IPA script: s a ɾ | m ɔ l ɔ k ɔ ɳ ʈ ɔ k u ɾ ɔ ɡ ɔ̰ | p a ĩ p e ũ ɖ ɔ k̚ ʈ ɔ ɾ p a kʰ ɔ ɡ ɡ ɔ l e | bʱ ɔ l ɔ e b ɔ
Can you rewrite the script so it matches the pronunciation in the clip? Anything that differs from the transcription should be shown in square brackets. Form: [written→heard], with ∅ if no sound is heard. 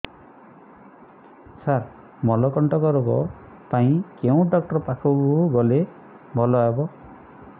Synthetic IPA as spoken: s a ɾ | m ɔ l ɔ k ɔ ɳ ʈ ɔ k [u→ɔ] ɾ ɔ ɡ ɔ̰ | p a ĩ [p→k] e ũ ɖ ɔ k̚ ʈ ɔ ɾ p a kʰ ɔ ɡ ɡ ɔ l e | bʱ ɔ l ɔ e b ɔ